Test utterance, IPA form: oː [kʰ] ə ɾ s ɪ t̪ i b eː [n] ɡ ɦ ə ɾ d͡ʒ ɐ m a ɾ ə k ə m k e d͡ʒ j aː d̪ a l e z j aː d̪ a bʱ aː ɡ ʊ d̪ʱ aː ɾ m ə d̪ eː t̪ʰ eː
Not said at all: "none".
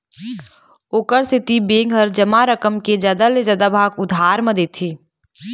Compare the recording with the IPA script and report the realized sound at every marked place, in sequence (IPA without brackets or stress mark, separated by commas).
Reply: k, ŋ